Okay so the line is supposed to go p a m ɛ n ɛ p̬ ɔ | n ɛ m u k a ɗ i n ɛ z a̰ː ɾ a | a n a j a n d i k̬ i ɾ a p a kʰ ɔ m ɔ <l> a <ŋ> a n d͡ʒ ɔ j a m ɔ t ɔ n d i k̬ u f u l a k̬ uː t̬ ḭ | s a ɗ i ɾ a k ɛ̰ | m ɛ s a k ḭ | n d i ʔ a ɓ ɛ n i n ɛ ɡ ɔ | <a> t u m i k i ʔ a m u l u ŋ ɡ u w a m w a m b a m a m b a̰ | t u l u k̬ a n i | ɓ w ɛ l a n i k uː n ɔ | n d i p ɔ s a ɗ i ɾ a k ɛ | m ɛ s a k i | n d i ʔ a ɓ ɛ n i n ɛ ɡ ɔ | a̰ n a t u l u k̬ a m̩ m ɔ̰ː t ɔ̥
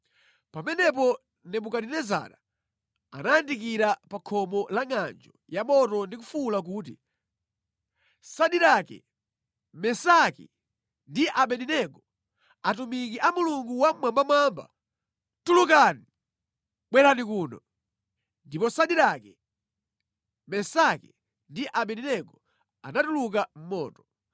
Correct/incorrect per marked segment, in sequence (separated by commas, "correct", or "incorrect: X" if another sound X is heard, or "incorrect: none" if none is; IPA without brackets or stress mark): correct, correct, correct